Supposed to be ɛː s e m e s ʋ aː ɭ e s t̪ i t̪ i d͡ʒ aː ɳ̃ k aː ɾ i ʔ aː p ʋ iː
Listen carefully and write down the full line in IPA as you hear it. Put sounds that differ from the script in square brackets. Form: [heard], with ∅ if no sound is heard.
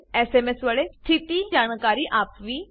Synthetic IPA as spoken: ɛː s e m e s ʋ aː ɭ e s [t̪ʰ] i t̪ i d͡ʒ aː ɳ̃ k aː ɾ i ʔ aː p ʋ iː